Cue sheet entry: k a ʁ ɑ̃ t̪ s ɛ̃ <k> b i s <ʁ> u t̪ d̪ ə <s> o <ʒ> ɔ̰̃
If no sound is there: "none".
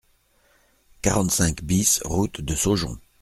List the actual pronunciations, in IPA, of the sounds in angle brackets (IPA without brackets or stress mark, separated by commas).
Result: k, ʁ, s, ʒ